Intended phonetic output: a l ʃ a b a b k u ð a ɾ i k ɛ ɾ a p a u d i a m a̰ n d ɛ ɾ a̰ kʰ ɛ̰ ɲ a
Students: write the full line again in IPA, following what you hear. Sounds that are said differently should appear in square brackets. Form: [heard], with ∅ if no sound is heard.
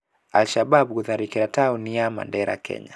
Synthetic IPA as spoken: a l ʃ a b a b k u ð a ɾ i k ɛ ɾ a [t] a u [n] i a m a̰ n d ɛ ɾ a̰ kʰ ɛ̰ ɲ a